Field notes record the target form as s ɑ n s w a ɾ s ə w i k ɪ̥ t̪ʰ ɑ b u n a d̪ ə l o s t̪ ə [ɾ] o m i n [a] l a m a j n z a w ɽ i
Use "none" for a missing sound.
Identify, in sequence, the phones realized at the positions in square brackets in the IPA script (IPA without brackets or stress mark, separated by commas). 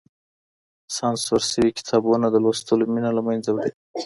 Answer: l, a